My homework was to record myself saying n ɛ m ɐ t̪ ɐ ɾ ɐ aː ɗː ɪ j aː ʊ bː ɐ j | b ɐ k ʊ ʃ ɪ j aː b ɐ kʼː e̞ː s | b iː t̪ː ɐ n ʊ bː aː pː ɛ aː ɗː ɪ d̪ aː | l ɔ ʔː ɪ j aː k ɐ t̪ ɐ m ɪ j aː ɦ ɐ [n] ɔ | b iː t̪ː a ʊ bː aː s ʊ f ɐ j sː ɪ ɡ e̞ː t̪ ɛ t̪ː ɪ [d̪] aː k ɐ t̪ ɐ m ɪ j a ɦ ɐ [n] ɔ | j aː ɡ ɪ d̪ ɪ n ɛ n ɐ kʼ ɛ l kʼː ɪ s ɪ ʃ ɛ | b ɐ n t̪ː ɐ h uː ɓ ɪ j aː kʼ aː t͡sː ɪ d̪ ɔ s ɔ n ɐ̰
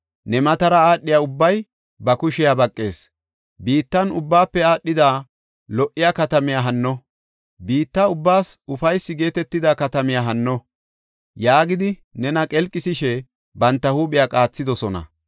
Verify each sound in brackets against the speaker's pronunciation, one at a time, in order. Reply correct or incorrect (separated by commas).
incorrect, correct, incorrect